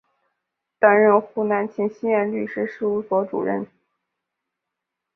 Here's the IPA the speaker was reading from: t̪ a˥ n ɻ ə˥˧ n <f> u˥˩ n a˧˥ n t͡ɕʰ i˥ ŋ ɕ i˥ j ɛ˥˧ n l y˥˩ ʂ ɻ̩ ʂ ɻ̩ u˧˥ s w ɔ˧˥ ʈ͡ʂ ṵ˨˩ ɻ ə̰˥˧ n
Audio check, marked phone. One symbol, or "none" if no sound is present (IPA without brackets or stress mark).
x